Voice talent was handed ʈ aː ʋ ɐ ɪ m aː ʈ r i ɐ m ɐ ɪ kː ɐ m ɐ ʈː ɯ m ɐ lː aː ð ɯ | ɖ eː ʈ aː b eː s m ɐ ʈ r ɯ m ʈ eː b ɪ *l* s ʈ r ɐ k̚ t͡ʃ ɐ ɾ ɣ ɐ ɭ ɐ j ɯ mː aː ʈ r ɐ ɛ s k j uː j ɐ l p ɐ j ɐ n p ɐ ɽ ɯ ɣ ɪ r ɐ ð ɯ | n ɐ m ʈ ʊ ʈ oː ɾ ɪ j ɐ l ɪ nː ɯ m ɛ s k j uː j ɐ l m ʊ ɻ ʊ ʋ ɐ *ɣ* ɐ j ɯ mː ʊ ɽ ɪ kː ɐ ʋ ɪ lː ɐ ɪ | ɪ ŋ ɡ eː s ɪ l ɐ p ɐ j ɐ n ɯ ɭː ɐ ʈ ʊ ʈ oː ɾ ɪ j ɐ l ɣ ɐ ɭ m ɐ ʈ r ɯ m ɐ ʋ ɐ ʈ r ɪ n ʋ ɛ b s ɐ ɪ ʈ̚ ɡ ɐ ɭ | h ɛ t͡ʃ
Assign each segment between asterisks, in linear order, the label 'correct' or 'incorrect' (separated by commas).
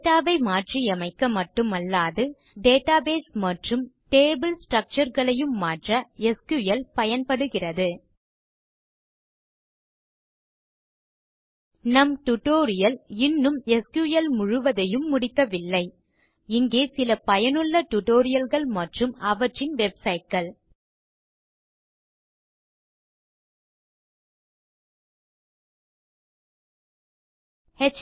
correct, incorrect